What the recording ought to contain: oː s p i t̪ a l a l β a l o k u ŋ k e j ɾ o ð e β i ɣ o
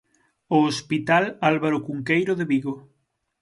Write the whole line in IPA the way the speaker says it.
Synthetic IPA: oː s p i t̪ a l a l β a ɾ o k u ŋ k e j ɾ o ð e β i ɣ o

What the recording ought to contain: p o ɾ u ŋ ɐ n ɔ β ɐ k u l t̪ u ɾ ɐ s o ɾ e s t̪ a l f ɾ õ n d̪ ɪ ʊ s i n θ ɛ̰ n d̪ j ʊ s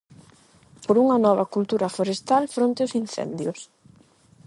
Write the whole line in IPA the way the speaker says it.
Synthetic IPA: p o ɾ u ŋ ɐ n ɔ β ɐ k u l t̪ u ɾ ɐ f o ɾ e s t̪ a l f ɾ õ n t̪ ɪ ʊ s i n θ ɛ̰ n d̪ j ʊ s

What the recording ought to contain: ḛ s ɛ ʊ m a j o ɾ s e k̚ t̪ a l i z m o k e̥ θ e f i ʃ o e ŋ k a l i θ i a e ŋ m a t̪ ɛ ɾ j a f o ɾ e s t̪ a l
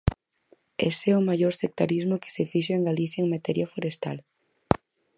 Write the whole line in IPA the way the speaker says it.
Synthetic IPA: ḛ s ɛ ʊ m a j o ɾ s e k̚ t̪ a ɾ i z m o k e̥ s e f i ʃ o e ŋ ɡ a l i θ j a e ŋ m a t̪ ɛ ɾ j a f o ɾ e s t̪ a l

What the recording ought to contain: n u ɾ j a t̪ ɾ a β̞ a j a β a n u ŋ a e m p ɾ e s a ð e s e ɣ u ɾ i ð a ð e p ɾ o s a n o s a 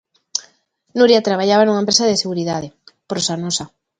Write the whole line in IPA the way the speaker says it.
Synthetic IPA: n u ɾ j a t̪ ɾ a β̞ a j a β a n u ŋ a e m p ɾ e s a ð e s e ɣ u ɾ i ð a ð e p ɾ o s a n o s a

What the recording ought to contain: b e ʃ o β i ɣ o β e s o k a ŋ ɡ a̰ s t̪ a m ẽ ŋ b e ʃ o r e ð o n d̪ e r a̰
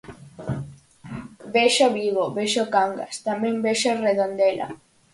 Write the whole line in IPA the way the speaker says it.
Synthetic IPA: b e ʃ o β i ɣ o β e ʃ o k a ŋ ɡ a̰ s t̪ a m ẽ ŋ b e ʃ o r e ð o n d̪ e l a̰

